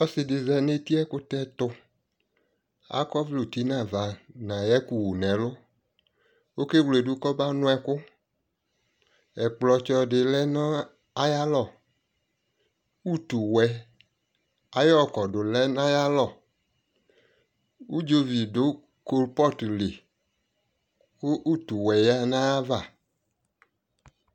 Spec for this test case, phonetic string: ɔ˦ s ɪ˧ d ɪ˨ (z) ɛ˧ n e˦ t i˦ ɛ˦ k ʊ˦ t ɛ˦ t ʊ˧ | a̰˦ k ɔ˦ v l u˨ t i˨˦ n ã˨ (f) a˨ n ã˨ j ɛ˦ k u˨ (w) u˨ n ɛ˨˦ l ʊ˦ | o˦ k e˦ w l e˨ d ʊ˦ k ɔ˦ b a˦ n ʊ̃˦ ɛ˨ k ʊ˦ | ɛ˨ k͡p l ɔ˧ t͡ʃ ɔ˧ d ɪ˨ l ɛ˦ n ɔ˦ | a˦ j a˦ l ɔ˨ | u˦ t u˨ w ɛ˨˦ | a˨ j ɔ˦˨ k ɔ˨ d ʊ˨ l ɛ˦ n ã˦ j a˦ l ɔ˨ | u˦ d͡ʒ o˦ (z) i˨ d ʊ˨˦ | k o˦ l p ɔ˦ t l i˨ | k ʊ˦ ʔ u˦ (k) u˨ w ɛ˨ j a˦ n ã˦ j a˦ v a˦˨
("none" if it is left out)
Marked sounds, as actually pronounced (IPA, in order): z, v, w, v, t

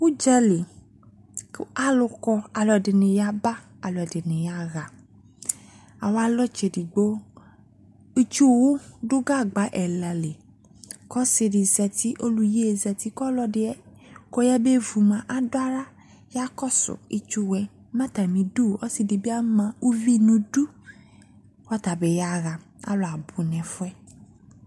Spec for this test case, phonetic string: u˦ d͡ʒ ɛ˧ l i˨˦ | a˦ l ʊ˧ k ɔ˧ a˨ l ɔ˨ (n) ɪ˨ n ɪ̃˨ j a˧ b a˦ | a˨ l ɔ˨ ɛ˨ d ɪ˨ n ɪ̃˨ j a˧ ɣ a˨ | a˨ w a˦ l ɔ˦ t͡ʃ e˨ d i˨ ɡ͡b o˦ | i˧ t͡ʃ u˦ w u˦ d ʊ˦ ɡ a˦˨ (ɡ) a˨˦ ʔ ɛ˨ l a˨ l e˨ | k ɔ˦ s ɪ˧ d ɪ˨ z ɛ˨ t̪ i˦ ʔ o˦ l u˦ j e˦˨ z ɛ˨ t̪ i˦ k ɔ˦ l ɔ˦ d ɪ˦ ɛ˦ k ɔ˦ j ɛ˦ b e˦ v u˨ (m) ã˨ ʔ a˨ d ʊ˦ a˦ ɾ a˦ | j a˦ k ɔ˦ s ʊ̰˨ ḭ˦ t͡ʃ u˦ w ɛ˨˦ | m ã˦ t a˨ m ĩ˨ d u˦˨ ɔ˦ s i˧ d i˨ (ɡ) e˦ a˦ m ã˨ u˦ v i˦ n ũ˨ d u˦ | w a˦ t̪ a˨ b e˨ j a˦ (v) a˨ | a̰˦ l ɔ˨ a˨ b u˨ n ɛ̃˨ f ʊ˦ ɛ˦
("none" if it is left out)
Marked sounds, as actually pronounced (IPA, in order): d, ɡ͡b, m, b, ɣ

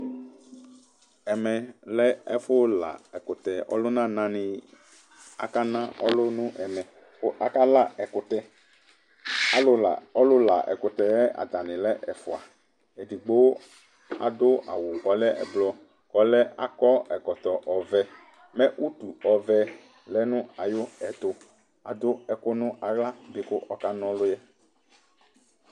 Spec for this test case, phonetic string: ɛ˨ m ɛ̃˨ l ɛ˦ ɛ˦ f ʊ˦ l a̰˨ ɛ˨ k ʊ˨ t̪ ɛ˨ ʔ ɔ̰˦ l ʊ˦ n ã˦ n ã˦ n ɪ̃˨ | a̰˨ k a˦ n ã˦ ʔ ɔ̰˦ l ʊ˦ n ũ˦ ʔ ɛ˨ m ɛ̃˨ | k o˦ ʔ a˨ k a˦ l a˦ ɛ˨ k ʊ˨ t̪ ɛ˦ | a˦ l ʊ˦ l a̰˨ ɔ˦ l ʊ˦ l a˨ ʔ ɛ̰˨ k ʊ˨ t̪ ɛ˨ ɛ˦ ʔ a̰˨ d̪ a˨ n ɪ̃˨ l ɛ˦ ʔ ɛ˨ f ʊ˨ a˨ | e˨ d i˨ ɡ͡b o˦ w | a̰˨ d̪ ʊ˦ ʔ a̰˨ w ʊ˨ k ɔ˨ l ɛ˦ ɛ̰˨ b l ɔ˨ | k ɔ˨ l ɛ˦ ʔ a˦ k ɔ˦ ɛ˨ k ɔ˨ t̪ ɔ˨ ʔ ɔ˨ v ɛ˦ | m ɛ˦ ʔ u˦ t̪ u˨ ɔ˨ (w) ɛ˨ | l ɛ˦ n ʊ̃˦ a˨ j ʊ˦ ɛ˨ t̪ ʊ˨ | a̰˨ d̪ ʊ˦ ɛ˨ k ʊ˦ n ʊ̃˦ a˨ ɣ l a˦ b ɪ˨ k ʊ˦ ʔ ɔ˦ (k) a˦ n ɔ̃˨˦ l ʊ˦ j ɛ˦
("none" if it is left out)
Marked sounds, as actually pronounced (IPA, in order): v, k

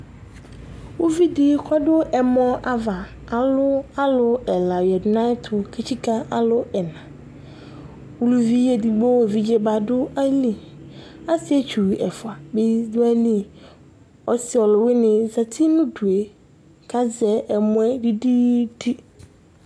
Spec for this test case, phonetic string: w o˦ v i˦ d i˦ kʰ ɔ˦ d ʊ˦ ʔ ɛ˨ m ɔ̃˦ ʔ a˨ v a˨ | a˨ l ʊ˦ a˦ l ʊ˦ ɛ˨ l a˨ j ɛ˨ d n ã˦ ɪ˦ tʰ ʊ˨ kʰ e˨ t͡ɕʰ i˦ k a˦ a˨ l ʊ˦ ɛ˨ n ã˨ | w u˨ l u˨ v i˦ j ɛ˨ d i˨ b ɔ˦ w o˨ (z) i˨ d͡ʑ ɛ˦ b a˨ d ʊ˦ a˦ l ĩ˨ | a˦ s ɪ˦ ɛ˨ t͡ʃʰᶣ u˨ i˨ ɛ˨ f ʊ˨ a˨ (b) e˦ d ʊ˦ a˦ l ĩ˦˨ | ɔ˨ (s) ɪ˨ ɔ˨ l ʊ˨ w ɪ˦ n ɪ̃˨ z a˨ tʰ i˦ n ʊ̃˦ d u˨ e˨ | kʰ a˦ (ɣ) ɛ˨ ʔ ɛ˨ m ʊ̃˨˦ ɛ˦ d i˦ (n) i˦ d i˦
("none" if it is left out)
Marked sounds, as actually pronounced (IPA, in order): v, b, s, z, d

